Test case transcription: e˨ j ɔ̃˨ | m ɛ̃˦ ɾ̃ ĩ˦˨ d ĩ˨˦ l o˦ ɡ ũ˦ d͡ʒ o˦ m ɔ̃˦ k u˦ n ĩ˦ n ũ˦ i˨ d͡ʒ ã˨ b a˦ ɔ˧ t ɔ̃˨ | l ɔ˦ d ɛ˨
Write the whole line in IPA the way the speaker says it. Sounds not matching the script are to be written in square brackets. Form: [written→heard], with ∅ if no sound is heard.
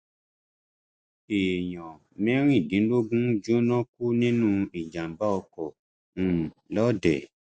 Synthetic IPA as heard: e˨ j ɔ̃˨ | m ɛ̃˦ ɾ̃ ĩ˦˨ d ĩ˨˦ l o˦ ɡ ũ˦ d͡ʒ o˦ [m→n] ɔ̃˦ k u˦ n ĩ˦ n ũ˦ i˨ d͡ʒ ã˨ b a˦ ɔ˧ [t→k] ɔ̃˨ | l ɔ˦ d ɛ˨

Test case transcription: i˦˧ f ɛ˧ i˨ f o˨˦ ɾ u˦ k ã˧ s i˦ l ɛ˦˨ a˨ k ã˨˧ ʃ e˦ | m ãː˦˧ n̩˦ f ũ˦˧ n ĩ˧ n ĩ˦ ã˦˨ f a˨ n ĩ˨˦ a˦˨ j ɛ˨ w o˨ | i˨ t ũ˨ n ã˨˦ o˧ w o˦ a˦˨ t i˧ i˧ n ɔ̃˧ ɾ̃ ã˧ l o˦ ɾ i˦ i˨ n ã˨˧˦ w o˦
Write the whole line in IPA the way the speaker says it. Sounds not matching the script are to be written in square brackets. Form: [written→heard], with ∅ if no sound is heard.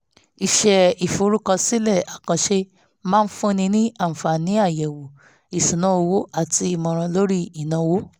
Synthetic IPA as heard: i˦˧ [f→ʃ] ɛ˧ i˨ f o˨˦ ɾ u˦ k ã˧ s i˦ l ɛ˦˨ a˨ k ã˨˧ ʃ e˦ | m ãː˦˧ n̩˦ f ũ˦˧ n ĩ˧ n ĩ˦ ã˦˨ f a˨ n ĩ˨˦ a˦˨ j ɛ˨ w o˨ | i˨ [t→s] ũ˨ n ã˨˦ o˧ w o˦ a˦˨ t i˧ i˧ [n→m] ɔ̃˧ ɾ̃ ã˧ l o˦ ɾ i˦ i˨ n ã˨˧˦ w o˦

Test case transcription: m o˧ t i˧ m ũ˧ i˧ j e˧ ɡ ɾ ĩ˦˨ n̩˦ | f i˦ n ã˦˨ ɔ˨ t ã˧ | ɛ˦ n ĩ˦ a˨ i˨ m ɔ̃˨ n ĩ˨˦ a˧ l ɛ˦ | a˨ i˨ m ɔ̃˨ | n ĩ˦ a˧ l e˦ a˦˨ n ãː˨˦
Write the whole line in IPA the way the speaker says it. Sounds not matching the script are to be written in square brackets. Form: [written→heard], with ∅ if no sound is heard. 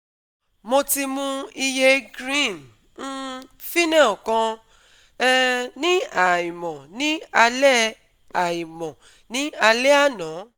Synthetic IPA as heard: m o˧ t i˧ m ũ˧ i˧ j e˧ ɡ ɾ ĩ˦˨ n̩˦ | f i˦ n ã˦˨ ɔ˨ [t→k] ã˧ | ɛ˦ n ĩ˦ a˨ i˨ m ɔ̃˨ n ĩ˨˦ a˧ l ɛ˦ | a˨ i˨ m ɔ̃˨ | n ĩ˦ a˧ l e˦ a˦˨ n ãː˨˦

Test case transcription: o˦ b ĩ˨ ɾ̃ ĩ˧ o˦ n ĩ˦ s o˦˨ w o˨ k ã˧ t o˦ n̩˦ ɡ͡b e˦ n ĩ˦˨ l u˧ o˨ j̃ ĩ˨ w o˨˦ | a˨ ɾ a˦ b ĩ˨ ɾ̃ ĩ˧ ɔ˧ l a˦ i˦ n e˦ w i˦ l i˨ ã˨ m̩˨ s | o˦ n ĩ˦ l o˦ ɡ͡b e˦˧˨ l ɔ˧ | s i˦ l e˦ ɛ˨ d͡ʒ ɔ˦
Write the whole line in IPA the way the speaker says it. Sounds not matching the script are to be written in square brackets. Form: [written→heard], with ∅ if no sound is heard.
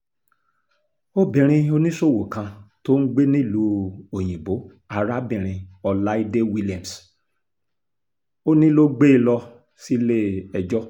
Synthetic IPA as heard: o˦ b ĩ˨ ɾ̃ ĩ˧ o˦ n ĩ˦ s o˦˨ w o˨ k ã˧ t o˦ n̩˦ ɡ͡b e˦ n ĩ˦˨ l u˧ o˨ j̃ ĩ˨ [w→b] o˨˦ | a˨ ɾ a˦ b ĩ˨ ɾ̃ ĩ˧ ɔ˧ l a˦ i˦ [n→d] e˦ w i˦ l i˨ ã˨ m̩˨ s | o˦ n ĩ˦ l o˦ ɡ͡b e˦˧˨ l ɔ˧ | s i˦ l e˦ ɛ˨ d͡ʒ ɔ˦

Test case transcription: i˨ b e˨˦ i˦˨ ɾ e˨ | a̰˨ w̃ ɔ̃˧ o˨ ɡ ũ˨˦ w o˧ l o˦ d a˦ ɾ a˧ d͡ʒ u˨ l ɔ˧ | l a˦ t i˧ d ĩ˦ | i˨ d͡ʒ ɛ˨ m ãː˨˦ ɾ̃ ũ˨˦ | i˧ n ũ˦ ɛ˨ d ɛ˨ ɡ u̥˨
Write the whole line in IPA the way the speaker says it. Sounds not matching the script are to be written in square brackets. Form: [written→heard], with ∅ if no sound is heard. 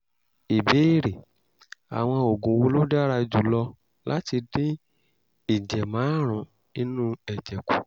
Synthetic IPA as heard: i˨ b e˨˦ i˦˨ ɾ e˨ | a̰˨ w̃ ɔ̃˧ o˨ ɡ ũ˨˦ w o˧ l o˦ d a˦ ɾ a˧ d͡ʒ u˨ l ɔ˧ | l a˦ t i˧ d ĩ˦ | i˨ d͡ʒ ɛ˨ m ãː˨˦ ɾ̃ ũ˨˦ | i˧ n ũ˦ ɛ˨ [d→d͡ʒ] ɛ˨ [ɡ→k] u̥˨

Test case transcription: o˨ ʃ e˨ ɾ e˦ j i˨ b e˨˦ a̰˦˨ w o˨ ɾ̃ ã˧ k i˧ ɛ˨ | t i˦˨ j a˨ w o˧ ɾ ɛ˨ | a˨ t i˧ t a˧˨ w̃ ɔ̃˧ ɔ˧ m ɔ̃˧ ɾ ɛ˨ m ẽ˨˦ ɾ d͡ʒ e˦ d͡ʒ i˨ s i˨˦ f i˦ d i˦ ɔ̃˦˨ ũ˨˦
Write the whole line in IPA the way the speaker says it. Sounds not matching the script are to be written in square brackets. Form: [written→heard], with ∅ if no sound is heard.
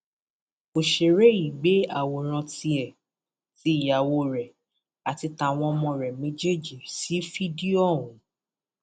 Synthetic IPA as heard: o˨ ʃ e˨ ɾ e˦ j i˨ [b→ɡ͡b] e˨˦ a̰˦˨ w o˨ ɾ̃ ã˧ [k→t] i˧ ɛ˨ | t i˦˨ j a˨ w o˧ ɾ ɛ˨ | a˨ t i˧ t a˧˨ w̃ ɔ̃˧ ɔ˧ m ɔ̃˧ ɾ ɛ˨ m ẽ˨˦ [ɾ→∅] d͡ʒ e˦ d͡ʒ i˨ s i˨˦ f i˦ d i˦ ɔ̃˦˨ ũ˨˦

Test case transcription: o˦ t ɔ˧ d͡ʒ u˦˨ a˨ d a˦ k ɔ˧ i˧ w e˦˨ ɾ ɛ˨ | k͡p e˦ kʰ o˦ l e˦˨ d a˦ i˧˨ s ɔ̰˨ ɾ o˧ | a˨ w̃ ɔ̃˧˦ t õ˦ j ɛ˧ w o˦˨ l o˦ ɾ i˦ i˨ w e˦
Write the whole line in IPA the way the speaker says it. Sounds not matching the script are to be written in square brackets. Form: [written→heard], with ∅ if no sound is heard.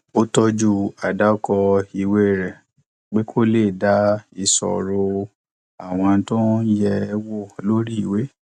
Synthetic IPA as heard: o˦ t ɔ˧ d͡ʒ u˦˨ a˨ d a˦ k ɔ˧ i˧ w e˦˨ ɾ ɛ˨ | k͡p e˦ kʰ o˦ l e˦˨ d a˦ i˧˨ s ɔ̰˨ ɾ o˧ | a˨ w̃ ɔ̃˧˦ t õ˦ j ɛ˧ w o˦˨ l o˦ ɾ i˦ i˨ w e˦

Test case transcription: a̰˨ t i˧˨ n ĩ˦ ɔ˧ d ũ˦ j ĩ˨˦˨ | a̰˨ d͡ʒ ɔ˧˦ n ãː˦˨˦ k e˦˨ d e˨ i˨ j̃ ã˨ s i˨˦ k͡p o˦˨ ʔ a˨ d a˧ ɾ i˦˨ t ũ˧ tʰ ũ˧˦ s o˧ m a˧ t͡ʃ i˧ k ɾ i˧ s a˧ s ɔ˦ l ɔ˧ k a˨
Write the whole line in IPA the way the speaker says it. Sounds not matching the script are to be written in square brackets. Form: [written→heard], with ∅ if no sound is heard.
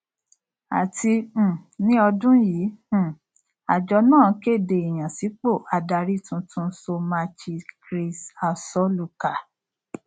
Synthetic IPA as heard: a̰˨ t i˧˨ n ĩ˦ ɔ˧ d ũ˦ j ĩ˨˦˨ | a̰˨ d͡ʒ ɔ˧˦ n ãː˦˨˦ k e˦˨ d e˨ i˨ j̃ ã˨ s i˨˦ k͡p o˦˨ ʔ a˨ d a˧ ɾ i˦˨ t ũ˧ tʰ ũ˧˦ s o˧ m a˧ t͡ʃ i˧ k ɾ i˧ s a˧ s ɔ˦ l [ɔ˧→u˧] k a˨

